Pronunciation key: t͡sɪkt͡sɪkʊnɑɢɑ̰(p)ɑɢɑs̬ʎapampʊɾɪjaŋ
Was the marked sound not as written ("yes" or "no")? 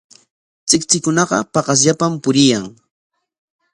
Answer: no